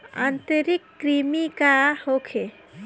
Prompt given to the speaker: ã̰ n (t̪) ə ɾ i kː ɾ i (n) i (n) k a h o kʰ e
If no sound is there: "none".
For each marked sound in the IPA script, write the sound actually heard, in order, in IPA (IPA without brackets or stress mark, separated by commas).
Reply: t̪, m, none